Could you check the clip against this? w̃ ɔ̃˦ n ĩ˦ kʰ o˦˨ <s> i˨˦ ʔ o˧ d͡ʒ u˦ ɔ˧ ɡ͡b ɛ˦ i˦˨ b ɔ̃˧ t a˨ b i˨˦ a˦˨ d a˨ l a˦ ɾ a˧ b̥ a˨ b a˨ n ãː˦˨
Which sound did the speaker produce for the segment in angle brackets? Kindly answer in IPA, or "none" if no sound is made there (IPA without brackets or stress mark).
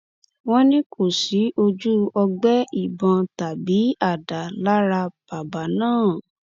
s